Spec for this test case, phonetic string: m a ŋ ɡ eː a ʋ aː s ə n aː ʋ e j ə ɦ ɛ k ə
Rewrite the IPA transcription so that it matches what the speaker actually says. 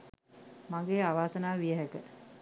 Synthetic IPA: m a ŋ ɡ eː a ʋ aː s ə n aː ʋ i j ə ɦ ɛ k ə